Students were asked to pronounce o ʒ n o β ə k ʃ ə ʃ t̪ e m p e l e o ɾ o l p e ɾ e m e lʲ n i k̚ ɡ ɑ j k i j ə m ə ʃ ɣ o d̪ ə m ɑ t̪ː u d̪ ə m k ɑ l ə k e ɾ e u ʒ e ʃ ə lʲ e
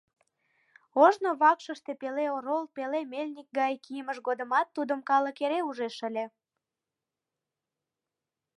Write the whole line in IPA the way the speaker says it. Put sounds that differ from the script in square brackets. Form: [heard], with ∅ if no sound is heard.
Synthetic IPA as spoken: o ʒ n o β [ɑ] k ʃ ə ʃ t̪ e [∅] p e l e o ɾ o l p e [l] e m e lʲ n i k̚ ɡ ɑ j k i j ə m ə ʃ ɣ o d̪ ə m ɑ t̪ː u d̪ ə m k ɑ l ə k e ɾ e u ʒ e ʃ ə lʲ e

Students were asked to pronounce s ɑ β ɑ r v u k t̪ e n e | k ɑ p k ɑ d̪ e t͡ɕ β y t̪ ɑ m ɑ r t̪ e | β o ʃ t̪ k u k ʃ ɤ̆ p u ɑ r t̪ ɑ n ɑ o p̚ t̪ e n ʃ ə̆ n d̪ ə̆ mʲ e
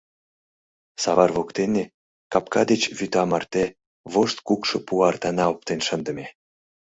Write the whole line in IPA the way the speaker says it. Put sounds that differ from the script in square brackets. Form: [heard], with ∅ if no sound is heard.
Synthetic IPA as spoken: s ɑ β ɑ r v [o] k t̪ e n e | k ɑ p k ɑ d̪ e t͡ɕ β y t̪ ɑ m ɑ r t̪ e | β o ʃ t̪ k u k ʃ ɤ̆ p u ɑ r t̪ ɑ n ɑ o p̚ t̪ e n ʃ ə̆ n d̪ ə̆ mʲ e

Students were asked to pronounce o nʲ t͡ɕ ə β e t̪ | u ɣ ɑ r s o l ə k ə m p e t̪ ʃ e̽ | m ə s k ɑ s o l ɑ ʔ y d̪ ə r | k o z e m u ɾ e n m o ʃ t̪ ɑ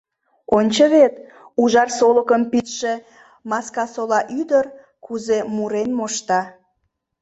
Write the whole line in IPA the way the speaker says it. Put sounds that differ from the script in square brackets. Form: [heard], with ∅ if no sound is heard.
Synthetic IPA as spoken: o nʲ t͡ɕ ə β e t̪ | u [ʒ] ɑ r s o l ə k ə m p [i] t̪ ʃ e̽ | m [ɑ] s k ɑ s o l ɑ ʔ y d̪ ə r | k [u] z e m u ɾ e n m o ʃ t̪ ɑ

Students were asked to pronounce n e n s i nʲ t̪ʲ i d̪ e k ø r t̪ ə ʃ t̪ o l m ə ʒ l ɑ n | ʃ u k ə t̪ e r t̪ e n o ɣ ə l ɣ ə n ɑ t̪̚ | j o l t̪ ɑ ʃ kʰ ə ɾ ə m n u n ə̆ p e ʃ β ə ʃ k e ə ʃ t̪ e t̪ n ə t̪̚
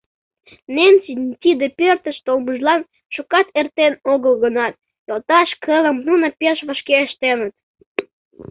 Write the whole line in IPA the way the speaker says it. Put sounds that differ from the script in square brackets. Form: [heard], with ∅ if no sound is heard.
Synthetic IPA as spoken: n e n s i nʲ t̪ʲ i d̪ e [p] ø r t̪ ə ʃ t̪ o l m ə ʒ l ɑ n | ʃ u k [ɑ] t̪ e r t̪ e n o ɣ ə l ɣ ə n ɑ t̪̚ | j o l t̪ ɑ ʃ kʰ ə [l] ə m n u n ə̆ p e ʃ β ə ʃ k e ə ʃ t̪ e [∅] n ə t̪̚

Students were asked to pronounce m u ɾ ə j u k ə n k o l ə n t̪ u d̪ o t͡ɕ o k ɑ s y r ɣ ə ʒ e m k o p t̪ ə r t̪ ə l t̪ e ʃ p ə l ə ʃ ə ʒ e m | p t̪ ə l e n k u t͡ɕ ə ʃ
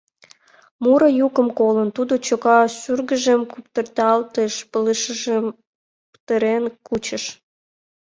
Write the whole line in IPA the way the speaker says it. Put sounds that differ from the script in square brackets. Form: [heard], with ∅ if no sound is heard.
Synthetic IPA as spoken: m u ɾ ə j u k ə [m] k o l ə n t̪ u d̪ o t͡ɕ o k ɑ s y r ɣ ə ʒ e m k [u] p t̪ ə r t̪ [ɑ] l t̪ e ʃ p ə l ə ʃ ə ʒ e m | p t̪ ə [ɾ] e n k u t͡ɕ ə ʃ

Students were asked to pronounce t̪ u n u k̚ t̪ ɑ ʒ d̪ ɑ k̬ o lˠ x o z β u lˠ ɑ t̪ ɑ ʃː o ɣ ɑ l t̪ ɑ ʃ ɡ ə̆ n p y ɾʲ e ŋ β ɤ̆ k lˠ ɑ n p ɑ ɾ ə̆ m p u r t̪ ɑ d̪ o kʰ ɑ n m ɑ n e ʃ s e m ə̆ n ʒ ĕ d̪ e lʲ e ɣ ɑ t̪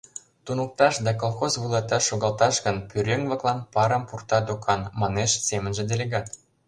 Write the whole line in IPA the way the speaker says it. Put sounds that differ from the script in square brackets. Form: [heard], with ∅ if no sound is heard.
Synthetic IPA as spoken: t̪ u n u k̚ t̪ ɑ [ʃ] d̪ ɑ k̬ o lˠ x o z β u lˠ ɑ t̪ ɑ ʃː o ɣ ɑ l t̪ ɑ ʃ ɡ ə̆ n p y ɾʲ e ŋ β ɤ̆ k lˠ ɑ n p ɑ ɾ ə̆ m p u r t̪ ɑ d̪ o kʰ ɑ n m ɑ n e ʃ s e m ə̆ n ʒ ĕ d̪ e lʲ e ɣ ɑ t̪

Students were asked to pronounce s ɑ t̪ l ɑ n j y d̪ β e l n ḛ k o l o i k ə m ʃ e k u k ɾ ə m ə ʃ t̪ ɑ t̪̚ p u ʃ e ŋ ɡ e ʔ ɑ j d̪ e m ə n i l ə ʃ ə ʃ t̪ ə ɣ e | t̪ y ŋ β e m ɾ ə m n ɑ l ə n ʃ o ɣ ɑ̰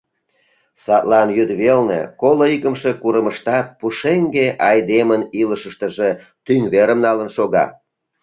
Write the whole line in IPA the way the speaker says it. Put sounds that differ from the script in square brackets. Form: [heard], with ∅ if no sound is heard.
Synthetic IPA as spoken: s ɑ t̪ l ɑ n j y d̪ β e l n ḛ k o l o i k ə m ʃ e k u [∅] ɾ ə m ə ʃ t̪ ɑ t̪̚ p u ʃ e ŋ ɡ e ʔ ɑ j d̪ e m ə n i l ə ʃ ə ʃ t̪ ə [ʒ] e | t̪ y ŋ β e [∅] ɾ ə m n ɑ l ə n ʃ o ɣ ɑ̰

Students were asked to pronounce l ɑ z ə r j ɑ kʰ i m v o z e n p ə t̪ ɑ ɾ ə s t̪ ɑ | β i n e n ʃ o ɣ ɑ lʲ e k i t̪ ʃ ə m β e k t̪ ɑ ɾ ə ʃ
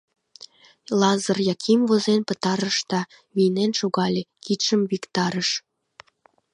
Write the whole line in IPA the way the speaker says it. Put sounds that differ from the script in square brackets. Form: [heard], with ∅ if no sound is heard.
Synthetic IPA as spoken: l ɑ z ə r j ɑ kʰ i m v o z e n p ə t̪ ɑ ɾ ə [ʃ] t̪ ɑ | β i n e n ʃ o ɣ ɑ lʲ e k i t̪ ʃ ə m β [i] k t̪ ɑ ɾ ə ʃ

